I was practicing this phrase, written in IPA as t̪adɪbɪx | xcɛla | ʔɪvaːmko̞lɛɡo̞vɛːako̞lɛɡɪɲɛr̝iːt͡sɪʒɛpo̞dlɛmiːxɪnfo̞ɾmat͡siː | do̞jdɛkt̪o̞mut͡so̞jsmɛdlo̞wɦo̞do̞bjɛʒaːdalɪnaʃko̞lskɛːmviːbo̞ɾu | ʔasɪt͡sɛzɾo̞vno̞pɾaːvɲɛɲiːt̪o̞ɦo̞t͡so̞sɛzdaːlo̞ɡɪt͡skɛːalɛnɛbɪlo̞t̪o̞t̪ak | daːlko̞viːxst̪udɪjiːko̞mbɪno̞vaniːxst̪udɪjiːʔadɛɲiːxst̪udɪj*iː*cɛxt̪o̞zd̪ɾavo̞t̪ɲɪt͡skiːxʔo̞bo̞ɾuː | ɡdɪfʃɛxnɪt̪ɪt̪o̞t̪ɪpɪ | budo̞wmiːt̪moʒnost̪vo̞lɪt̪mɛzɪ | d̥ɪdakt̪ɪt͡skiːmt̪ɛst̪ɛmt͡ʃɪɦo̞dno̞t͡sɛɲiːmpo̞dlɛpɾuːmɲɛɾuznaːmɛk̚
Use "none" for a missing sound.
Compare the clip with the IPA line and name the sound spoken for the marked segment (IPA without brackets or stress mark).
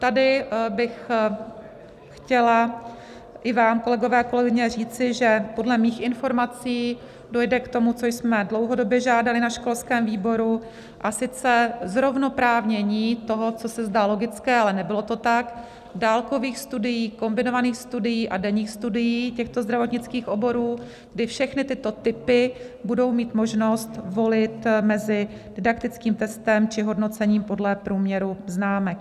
iː